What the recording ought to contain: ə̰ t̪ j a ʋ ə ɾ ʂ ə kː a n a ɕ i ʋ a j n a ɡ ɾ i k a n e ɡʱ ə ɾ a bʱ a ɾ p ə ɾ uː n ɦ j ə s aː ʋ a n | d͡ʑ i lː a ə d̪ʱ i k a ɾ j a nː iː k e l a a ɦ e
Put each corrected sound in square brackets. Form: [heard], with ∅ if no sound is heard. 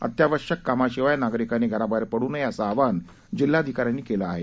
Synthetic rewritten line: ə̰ t̪ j a ʋ ə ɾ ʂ ə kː a [m] a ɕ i ʋ a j n a ɡ ɾ i k a n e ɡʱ ə ɾ a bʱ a ɾ p ə [ɽ] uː n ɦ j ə s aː ʋ a n | d͡ʑ i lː a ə d̪ʱ i k a ɾ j a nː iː k e l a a ɦ e